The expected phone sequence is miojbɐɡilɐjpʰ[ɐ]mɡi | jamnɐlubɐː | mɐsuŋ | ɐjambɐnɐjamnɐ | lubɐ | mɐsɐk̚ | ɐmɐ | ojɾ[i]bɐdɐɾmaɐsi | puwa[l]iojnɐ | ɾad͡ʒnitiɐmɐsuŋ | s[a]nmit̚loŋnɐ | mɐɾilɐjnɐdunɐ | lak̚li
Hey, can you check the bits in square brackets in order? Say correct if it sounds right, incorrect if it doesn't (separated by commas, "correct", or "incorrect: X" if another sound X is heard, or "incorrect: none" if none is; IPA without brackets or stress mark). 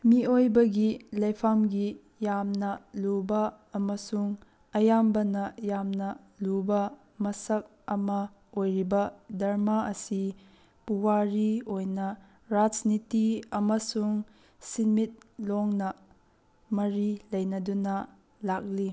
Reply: incorrect: a, correct, incorrect: ɾ, incorrect: i